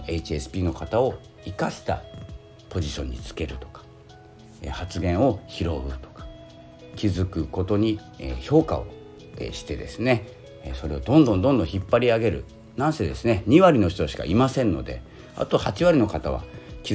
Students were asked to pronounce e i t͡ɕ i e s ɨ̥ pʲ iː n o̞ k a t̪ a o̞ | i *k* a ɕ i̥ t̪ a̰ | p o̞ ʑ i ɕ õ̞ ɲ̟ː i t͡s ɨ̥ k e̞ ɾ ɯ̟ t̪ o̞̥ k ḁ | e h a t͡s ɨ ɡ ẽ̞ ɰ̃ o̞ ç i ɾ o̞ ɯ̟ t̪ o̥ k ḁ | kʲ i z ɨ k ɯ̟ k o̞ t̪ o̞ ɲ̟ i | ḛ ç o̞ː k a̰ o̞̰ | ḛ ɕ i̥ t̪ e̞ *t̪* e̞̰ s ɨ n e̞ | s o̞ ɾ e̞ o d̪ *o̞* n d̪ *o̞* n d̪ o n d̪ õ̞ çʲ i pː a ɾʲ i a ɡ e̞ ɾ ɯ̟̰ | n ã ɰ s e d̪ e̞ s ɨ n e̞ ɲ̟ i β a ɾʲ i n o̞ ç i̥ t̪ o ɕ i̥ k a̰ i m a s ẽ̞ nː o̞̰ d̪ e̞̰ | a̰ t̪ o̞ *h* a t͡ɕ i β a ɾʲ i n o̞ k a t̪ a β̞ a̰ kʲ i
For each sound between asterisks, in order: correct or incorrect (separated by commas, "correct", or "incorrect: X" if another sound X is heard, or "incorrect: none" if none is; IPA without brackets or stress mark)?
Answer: correct, incorrect: d̪, incorrect: õ̞, incorrect: õ̞, correct